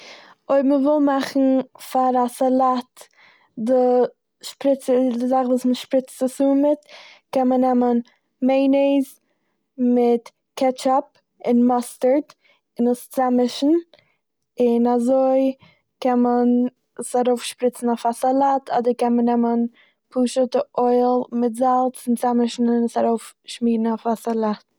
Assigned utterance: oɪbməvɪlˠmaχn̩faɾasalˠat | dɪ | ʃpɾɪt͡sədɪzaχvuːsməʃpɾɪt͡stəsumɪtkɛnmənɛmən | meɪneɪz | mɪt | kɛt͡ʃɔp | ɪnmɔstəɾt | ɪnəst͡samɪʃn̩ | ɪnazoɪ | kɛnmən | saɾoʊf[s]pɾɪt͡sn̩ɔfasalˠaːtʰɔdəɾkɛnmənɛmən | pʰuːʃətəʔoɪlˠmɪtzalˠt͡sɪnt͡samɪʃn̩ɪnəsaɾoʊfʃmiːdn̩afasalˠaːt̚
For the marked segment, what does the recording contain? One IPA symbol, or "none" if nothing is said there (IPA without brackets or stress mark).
ʃ